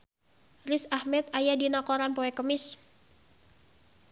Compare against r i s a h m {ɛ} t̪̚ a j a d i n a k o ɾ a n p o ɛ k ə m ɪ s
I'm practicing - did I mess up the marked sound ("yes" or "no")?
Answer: no